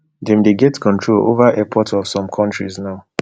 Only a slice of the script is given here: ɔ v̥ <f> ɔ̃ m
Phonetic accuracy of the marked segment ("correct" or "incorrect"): incorrect